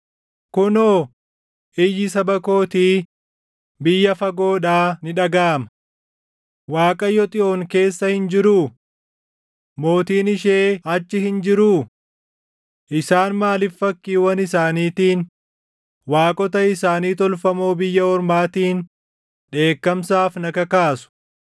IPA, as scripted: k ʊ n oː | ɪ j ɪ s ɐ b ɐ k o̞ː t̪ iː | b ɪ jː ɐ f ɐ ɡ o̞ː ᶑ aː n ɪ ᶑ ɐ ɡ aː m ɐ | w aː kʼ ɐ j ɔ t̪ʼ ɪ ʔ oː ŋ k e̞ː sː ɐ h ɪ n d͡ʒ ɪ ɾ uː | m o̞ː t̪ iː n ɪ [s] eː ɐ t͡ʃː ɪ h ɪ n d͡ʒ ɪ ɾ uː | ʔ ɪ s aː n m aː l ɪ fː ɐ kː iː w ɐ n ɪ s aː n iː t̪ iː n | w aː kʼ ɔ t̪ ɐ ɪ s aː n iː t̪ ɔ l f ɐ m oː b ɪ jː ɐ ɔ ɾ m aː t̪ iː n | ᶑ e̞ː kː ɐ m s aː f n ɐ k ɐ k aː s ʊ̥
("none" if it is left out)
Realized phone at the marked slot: ʃ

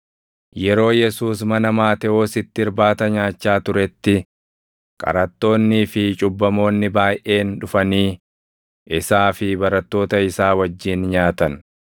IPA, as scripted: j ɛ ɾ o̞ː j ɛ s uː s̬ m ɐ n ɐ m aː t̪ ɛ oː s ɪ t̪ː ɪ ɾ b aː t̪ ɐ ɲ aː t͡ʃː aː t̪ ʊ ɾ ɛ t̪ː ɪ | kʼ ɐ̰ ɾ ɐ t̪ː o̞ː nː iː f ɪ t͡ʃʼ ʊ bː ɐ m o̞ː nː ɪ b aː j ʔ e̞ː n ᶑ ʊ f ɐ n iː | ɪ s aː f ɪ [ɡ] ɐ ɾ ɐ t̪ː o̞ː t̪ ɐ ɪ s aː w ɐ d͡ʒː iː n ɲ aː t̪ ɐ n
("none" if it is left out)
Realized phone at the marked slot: b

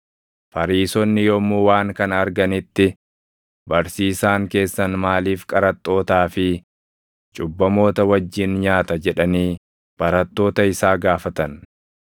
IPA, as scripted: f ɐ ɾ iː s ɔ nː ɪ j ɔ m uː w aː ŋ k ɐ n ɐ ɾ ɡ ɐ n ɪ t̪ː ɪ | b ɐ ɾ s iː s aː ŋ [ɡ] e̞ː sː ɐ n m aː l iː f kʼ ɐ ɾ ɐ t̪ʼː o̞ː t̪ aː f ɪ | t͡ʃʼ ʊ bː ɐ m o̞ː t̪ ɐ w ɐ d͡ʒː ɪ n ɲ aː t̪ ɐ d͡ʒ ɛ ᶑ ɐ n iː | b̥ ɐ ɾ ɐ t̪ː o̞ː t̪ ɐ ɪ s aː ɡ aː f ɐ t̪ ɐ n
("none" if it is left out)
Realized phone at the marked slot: k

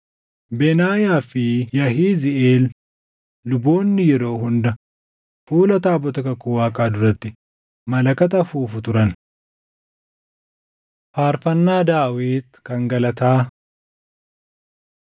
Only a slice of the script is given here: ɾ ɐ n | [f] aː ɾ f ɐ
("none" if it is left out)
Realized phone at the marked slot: f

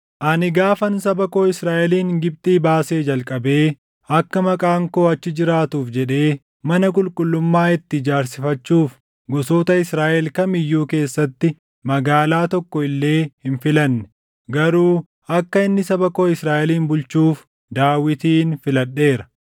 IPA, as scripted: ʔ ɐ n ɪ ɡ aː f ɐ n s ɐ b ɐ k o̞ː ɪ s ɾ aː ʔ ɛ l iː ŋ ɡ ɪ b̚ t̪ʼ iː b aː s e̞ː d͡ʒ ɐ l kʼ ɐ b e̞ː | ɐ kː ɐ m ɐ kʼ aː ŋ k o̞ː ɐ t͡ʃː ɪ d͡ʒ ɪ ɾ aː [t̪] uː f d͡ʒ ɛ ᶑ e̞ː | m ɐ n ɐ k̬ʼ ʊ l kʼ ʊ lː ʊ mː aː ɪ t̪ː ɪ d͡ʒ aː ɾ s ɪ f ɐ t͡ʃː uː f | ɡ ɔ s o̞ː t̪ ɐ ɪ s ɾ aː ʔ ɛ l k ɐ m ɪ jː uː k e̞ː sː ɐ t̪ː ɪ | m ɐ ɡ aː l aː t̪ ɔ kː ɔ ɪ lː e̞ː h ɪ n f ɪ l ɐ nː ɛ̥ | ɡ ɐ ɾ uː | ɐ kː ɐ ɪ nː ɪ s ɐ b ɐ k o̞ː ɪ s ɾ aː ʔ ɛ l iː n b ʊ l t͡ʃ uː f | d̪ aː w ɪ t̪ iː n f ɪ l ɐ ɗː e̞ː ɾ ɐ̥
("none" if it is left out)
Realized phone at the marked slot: t̪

